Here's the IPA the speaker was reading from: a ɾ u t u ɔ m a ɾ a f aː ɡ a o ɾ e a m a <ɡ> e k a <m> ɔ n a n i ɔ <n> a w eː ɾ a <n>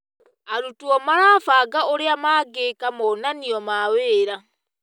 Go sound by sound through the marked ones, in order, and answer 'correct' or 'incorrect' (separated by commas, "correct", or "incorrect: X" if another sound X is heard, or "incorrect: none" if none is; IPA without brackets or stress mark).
correct, correct, incorrect: m, incorrect: none